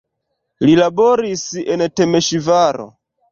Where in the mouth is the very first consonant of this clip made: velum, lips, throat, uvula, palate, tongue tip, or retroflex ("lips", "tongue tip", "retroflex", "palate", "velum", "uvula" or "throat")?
tongue tip